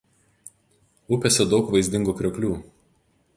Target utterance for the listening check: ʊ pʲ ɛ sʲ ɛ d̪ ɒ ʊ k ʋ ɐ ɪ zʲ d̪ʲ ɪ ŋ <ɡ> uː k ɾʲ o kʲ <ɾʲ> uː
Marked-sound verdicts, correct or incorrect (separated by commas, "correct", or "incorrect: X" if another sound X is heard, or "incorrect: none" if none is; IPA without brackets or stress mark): correct, incorrect: lʲ